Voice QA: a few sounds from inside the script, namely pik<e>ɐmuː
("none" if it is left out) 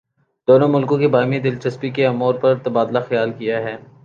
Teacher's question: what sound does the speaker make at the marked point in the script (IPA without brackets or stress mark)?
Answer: e